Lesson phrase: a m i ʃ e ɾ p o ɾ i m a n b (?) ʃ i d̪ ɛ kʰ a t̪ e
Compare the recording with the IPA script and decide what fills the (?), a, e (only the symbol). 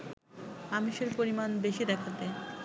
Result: e